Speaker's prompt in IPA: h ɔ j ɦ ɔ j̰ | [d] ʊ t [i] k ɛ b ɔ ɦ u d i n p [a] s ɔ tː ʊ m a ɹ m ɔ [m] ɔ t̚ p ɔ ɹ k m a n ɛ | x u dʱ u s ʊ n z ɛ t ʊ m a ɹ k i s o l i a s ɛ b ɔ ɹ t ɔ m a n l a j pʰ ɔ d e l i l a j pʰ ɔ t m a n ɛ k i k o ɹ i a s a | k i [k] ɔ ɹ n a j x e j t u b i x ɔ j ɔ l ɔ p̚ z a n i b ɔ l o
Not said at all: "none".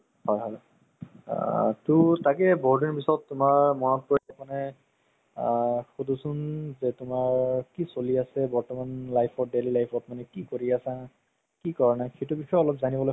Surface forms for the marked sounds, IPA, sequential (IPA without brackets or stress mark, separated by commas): t, a, i, n, k